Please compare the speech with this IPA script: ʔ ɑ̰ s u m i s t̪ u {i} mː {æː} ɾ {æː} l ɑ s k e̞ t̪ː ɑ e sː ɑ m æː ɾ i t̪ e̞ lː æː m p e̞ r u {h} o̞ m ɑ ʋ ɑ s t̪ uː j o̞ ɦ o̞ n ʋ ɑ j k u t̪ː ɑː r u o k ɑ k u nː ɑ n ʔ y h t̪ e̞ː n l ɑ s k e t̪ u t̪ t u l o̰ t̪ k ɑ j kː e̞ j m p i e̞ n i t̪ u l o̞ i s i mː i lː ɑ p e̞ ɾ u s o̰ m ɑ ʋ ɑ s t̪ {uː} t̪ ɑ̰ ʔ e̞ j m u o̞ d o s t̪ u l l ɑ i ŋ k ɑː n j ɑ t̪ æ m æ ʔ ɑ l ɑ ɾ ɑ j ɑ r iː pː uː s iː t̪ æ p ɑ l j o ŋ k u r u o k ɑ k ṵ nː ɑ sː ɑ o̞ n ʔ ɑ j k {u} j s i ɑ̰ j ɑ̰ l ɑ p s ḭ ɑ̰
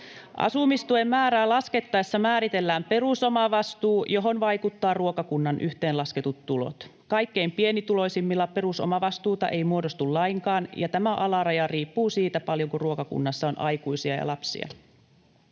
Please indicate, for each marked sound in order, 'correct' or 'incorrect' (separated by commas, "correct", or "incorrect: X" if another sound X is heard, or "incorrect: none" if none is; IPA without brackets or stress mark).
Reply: incorrect: e, correct, correct, incorrect: s, correct, correct